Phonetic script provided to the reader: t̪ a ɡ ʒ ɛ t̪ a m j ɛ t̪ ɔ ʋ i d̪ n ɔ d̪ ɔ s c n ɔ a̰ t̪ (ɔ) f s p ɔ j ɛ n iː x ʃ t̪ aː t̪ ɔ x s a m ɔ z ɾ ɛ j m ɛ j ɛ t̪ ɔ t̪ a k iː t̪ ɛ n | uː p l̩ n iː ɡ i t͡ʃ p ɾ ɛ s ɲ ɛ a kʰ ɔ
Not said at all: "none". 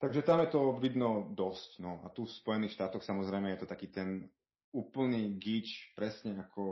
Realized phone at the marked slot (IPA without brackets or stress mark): u